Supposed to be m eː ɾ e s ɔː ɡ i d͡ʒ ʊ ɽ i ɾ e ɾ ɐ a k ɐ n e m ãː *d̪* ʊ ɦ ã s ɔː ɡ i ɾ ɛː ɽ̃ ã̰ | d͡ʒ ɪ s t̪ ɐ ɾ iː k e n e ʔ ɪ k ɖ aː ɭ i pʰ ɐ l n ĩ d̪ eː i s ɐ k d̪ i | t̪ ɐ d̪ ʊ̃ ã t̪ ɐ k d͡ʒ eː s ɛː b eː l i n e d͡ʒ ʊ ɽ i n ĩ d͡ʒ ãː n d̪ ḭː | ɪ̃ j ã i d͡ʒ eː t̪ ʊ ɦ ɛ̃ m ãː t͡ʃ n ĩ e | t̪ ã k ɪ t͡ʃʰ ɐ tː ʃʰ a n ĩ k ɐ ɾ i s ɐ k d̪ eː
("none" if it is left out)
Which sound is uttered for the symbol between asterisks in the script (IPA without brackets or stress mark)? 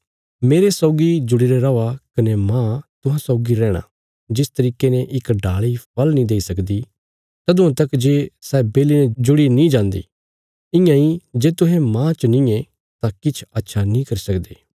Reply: t̪